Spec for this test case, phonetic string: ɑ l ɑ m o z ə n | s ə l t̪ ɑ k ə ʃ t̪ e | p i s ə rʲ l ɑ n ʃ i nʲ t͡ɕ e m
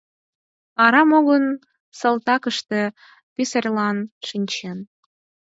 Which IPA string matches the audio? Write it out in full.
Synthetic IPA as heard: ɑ ɾ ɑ m o ɣ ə n | s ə l t̪ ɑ k ə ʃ t̪ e | p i s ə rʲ l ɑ n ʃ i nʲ t͡ɕ e n